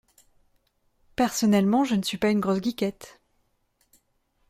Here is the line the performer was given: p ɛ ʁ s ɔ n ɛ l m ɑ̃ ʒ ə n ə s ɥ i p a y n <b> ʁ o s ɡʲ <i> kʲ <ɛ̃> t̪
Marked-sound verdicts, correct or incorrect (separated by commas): incorrect, correct, incorrect